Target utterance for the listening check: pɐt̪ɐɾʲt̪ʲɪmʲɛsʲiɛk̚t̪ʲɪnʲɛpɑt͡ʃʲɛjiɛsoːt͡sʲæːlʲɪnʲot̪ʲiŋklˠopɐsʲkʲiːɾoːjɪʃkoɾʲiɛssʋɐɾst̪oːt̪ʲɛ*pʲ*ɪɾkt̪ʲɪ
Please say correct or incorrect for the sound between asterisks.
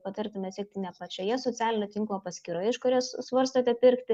correct